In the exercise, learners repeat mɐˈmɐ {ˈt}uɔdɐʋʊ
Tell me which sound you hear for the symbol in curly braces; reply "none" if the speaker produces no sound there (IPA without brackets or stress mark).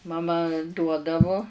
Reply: d